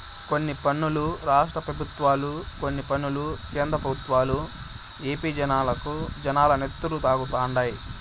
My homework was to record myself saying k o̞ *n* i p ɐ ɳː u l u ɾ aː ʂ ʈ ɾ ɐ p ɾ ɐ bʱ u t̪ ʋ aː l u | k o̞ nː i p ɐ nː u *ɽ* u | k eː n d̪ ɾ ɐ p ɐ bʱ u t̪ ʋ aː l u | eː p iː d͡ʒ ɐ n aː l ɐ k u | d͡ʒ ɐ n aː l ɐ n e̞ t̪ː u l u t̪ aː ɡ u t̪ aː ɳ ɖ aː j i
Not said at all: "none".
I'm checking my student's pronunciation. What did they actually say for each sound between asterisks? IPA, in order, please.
nː, l

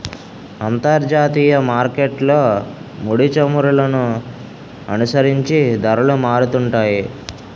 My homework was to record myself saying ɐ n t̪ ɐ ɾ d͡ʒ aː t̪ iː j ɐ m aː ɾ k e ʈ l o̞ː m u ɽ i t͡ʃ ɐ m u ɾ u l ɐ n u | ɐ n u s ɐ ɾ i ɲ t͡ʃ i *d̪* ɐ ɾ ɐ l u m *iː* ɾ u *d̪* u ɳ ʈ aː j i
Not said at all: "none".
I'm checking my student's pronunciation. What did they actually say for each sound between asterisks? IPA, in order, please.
d̪, aː, t̪

